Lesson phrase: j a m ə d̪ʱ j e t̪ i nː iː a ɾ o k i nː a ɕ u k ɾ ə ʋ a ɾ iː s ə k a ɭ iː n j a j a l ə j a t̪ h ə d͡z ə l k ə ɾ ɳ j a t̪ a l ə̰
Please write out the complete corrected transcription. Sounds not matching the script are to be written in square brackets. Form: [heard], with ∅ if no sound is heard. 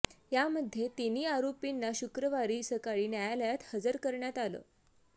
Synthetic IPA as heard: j a m ə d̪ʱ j e t̪ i [n] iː a ɾ o [p] i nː a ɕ u k ɾ ə ʋ a ɾ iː s ə k a ɭ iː n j a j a l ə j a t̪ h ə d͡z ə [ɾ] k ə ɾ ɳ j a t̪ a l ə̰